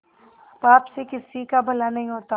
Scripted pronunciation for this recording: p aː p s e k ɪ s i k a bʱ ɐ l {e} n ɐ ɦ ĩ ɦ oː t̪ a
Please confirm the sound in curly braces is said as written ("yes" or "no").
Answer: no